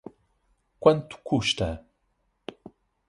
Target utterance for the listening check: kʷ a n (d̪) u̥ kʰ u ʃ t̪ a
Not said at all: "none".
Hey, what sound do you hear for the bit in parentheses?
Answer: t̪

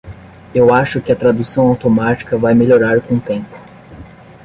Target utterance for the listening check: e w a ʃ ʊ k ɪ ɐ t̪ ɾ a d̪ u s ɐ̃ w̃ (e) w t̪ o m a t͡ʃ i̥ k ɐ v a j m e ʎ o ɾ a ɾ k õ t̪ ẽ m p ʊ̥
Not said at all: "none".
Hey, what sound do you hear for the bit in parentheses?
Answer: a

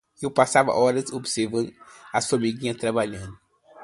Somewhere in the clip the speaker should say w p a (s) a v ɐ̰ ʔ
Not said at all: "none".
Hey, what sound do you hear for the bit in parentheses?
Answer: s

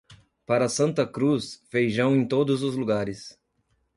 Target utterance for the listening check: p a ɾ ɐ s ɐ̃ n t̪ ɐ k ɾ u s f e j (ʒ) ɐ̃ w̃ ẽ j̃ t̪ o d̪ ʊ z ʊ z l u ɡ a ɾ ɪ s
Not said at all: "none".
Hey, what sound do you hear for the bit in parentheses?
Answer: ʒ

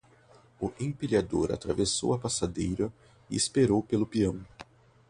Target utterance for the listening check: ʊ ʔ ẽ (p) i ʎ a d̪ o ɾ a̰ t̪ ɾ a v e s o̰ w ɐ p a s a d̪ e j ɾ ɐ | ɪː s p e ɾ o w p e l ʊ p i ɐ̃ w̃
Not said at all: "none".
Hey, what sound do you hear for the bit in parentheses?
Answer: p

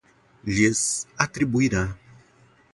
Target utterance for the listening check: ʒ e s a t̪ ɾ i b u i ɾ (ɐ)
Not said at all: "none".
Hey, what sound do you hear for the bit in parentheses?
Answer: a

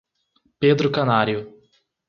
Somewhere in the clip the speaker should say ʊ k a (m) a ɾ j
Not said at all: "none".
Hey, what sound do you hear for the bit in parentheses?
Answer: n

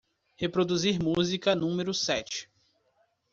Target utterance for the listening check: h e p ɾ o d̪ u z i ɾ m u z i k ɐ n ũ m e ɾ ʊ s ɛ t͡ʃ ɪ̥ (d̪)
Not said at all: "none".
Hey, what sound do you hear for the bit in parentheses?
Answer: none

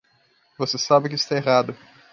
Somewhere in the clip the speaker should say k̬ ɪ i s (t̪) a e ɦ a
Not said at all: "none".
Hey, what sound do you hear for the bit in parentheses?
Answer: t̪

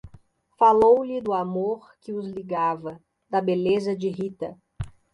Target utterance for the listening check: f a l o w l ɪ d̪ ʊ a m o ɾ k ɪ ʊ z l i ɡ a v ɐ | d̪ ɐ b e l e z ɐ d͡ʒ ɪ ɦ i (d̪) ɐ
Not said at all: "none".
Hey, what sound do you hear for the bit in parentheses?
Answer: t̪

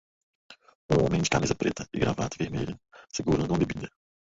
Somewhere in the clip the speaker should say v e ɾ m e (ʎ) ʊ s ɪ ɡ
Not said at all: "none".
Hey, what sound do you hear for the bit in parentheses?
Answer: ʎ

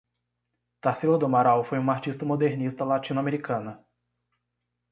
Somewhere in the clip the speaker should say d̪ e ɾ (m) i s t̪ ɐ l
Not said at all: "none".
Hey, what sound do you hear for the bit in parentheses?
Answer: n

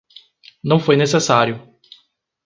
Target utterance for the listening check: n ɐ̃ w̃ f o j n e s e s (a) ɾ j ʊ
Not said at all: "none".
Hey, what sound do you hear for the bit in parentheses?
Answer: a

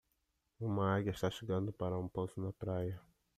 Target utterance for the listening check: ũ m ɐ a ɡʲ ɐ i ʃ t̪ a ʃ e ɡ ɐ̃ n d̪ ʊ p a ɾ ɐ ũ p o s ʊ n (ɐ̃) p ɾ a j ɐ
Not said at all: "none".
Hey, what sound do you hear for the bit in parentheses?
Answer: ɐ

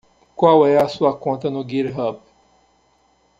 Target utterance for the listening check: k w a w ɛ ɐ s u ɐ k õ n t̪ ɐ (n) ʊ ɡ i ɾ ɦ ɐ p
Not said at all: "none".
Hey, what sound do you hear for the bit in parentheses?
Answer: n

